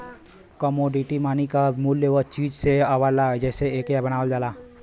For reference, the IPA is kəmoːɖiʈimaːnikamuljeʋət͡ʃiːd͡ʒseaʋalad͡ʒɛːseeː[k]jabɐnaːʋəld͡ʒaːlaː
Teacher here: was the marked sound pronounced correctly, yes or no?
yes